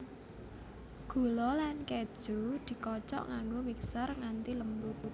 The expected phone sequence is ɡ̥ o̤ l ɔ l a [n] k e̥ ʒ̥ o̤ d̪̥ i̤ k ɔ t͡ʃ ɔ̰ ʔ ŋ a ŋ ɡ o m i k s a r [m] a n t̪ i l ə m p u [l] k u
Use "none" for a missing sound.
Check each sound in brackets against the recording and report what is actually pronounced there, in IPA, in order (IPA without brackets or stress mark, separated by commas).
n, ŋ, none